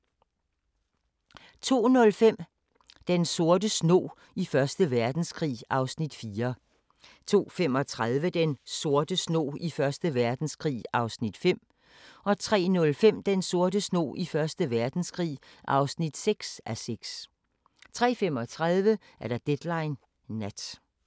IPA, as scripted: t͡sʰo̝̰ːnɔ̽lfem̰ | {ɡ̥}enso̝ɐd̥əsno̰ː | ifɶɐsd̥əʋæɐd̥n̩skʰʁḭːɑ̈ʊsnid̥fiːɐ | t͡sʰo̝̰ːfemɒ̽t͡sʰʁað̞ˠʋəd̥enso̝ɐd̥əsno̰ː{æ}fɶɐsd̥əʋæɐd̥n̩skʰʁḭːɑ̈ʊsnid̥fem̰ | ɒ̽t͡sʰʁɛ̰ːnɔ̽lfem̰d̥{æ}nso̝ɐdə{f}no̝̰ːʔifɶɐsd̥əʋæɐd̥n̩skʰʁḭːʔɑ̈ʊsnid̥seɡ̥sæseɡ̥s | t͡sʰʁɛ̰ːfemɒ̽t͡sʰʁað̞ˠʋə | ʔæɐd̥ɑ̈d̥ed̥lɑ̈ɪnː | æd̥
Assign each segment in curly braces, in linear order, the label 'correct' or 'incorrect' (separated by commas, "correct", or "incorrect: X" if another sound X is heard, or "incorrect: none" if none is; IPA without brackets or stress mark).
incorrect: d̥, incorrect: i, incorrect: e, incorrect: s